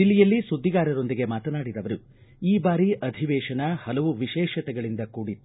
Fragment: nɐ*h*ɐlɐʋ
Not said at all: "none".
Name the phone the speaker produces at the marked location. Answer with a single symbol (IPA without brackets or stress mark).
h